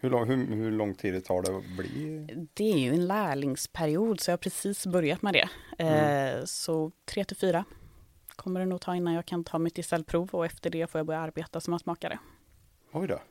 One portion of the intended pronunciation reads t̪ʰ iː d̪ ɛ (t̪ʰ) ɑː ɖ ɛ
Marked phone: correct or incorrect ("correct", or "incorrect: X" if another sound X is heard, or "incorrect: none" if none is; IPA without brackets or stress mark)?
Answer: correct